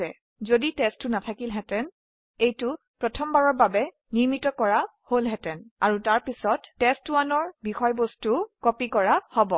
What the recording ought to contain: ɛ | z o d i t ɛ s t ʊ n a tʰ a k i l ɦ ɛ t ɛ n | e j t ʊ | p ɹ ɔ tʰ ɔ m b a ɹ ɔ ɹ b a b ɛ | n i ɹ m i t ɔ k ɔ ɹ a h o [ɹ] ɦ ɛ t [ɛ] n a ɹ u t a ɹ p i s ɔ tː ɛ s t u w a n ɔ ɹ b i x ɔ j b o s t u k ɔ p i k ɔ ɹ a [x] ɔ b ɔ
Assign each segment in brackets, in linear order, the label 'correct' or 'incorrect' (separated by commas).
incorrect, correct, incorrect